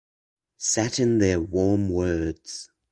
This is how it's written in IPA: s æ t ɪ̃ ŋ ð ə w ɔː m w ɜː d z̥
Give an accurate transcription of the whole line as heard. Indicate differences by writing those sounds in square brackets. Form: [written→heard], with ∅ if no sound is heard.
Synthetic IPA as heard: s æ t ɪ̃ [ŋ→n] ð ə w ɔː m w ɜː d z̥